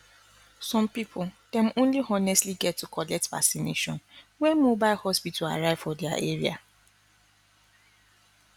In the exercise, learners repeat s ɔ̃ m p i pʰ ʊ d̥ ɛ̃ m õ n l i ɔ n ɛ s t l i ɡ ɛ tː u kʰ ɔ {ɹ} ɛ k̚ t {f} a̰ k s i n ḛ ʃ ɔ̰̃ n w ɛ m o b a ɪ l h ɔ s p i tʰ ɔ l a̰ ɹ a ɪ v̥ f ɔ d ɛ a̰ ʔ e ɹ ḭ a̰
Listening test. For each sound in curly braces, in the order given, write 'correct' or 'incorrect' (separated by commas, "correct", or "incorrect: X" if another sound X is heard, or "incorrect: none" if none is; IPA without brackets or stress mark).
incorrect: l, incorrect: v